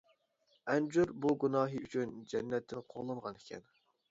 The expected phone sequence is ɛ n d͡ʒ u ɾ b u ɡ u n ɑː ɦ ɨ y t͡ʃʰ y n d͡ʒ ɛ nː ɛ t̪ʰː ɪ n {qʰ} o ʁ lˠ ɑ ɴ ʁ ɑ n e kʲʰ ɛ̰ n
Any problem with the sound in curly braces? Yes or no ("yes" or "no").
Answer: no